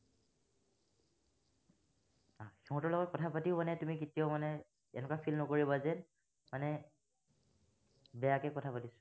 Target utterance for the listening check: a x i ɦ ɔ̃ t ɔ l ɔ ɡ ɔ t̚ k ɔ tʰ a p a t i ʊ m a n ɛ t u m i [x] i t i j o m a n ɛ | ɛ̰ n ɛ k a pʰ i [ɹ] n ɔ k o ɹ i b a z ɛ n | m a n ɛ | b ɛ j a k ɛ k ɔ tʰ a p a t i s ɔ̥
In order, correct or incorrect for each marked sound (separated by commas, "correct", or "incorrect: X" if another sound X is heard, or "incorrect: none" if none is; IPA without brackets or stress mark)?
incorrect: k, incorrect: l